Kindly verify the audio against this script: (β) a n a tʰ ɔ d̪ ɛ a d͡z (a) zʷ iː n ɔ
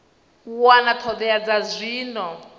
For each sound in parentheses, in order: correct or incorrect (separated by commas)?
incorrect, correct